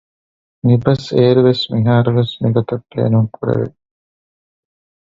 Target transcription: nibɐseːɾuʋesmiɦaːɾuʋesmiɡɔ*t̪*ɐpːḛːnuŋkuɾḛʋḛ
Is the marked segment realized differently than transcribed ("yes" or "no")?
no